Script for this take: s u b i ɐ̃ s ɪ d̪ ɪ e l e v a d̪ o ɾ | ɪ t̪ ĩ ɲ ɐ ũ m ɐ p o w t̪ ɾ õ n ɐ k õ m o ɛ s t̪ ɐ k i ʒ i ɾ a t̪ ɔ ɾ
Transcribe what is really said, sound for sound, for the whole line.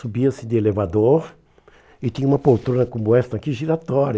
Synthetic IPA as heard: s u b i ɐ s ɪ d̪ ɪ e l e v a d̪ o ɾ | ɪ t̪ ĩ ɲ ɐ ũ m ɐ p o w t̪ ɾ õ n ɐ k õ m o ɛ s t̪ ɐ k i ʒ i ɾ a t̪ ɔ ɾ

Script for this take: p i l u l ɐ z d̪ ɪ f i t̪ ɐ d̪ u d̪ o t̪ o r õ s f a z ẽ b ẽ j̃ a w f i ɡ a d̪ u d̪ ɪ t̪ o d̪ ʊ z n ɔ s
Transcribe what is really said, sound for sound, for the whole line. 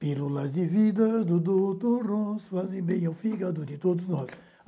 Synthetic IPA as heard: p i l u l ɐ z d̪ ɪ v i d̪ ɐ d̪ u d̪ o t̪ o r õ s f a z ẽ b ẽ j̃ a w f i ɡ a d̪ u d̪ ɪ t̪ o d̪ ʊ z n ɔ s

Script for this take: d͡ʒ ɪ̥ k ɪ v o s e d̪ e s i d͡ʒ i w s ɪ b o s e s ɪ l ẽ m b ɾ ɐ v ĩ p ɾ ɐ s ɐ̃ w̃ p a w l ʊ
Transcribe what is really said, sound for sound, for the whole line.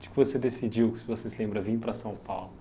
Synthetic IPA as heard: d͡ʒ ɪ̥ k ɪ v o s e d̪ e s i d͡ʒ i w s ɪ v o s e s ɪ l ẽ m b ɾ ɐ v ĩ p ɾ ɐ s ɐ̃ w̃ p a w l ʊ

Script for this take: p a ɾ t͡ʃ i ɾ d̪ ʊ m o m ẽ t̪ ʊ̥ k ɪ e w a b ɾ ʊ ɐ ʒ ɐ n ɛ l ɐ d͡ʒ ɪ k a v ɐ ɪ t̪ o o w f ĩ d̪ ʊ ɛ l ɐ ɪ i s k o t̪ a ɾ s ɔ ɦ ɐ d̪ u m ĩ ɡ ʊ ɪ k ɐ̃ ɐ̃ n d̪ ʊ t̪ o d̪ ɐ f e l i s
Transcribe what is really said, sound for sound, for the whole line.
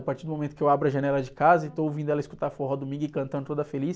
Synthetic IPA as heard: p a ɾ t͡ʃ i ɾ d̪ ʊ m o m ẽ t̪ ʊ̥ k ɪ e w a b ɾ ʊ ɐ ʒ ɐ n ɛ l ɐ d͡ʒ ɪ k a z ɐ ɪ t̪ o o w v ĩ d̪ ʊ ɛ l ɐ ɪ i s k u t̪ a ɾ f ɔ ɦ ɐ d̪ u m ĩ ɡ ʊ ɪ k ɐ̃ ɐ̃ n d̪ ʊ t̪ o d̪ ɐ f e l i s

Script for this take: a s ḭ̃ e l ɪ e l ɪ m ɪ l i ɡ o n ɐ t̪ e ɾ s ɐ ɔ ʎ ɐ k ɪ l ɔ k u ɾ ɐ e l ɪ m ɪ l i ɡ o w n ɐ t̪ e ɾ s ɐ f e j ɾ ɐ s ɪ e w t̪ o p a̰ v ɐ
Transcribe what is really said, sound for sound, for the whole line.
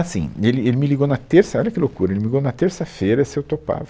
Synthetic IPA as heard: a s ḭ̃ e l ɪ e l ɪ m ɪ l i ɡ o n ɐ t̪ e ɾ s ɐ ɔ ʎ ɐ k ɪ l o k u ɾ ɐ e l ɪ m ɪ l i ɡ o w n ɐ t̪ e ɾ s ɐ f e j ɾ ɐ s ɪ e w t̪ o p a̰ v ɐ

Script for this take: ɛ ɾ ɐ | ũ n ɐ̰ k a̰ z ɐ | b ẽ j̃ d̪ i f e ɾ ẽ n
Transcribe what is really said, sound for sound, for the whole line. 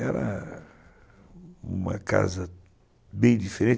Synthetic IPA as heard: ɛ ɾ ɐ | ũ m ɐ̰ k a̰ z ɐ | b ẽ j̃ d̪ i f e ɾ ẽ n

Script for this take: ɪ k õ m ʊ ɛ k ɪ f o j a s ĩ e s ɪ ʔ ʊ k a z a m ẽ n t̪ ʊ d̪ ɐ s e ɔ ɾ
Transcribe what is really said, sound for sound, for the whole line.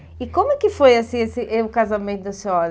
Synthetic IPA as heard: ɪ k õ m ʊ ɛ k ɪ f o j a s ĩ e s ɪ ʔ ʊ k a z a m ẽ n t̪ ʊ d̪ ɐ s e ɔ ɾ

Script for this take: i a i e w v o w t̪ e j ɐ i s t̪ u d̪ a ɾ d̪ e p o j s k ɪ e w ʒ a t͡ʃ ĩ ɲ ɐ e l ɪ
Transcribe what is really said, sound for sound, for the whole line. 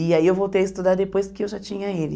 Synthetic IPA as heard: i a i e w v o w t̪ e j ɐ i s t̪ u d̪ a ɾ d̪ e p o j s k ɪ e w ʒ a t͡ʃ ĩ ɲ ɐ e l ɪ

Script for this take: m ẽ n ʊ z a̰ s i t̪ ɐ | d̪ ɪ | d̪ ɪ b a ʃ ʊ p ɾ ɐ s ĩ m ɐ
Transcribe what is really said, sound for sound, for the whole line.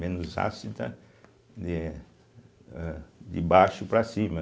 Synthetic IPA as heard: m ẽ n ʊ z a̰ s i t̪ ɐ | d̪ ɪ | d̪ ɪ b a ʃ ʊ p ɾ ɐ s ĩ m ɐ

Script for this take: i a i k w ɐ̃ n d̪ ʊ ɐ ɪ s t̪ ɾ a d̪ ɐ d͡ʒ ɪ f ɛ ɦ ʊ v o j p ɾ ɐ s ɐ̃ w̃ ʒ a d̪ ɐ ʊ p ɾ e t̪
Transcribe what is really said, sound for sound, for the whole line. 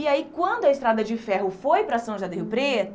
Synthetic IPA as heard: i a i k w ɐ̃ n d̪ ʊ ɐ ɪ s t̪ ɾ a d̪ ɐ d͡ʒ ɪ f ɛ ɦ ʊ f o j p ɾ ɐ s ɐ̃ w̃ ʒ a d̪ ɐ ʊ p ɾ e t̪

